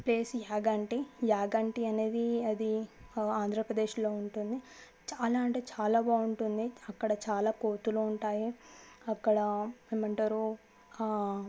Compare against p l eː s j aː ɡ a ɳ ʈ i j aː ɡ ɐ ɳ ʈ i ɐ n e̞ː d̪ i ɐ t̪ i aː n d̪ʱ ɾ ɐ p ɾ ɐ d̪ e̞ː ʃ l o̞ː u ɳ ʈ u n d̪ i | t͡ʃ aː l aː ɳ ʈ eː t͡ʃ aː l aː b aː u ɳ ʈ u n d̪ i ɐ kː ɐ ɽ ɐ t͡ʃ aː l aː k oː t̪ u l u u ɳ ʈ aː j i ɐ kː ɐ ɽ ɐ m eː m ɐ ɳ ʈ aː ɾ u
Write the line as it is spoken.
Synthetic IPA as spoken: p l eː s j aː ɡ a ɳ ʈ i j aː ɡ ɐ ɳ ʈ i ɐ n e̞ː d̪ i ɐ d̪ i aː n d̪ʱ ɾ ɐ p ɾ ɐ d̪ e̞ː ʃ l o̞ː u ɳ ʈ u n d̪ i | t͡ʃ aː l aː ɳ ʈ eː t͡ʃ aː l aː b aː u ɳ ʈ u n d̪ i ɐ kː ɐ ɽ ɐ t͡ʃ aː l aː k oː t̪ u l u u ɳ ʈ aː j i ɐ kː ɐ ɽ ɐ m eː m ɐ ɳ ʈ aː ɾ u

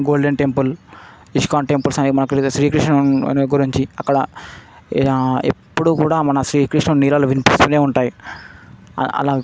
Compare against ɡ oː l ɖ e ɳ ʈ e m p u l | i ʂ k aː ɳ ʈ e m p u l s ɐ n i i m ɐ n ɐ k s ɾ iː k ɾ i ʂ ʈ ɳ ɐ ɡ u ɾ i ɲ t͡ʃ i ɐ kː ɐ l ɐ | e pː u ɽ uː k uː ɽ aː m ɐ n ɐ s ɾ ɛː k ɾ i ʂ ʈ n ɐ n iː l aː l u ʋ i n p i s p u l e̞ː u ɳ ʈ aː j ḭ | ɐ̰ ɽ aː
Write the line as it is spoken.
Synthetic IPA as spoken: ɡ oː l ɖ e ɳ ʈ e m p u l | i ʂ k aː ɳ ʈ e m p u l s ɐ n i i m ɐ n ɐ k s ɾ iː k ɾ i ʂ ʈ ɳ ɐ ɡ u ɾ i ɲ t͡ʃ i ɐ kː ɐ ɽ ɐ | e pː u ɽ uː k uː ɽ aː m ɐ n ɐ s ɾ iː k ɾ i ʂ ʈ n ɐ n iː l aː l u ʋ i n p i s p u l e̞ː u ɳ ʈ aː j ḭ | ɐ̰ l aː

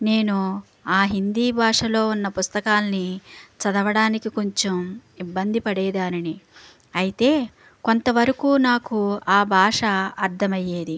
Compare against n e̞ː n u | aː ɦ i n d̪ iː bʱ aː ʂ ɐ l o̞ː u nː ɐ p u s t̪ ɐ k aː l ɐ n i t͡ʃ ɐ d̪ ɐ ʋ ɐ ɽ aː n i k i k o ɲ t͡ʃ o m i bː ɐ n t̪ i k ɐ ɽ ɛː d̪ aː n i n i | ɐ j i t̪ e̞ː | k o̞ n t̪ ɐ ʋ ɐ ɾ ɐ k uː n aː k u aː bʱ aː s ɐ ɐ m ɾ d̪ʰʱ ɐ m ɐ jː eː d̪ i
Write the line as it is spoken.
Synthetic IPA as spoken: n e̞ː n u | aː ɦ i n d̪ iː bʱ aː ʂ ɐ l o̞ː u nː ɐ p u s t̪ ɐ k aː l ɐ n i t͡ʃ ɐ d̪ ɐ ʋ ɐ ɽ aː n i k i k o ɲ t͡ʃ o m i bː ɐ n d̪ i p ɐ ɽ ɛː d̪ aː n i n i | ɐ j i t̪ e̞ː | k o̞ n t̪ ɐ ʋ ɐ ɾ ɐ k uː n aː k u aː bʱ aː ʂ ɐ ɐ ɾ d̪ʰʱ ɐ m ɐ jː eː d̪ i

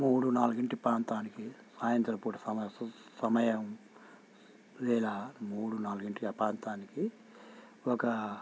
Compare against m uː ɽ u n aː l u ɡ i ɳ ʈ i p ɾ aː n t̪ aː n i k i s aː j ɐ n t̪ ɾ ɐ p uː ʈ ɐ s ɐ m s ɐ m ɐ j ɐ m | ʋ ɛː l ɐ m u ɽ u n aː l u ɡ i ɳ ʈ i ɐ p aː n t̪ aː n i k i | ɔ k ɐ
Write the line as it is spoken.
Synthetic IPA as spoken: m uː ɽ u n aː l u ɡ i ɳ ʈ i p ɾ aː n t̪ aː n i k i s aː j ɐ n t̪ ɾ ɐ p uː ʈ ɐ s ɐ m s ɐ m ɐ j ɐ m | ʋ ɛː l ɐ m uː ɽ u n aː l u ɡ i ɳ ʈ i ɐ p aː n t̪ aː n i k i | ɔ k ɐ

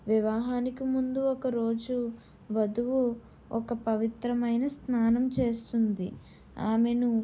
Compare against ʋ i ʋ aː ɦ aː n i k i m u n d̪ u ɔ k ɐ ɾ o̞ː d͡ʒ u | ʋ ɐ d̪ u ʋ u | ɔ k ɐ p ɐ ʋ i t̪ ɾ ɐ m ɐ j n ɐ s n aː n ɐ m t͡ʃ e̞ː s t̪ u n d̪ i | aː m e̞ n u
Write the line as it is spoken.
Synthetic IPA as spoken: ʋ i ʋ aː ɦ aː n i k i m u n d̪ u ɔ k ɐ ɾ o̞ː d͡ʒ u | ʋ ɐ d̪ u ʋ u | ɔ k ɐ p ɐ ʋ i t̪ ɾ ɐ m ɐ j n ɐ s n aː n ɐ m t͡ʃ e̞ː s t̪ u n d̪ i | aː m e̞ n u

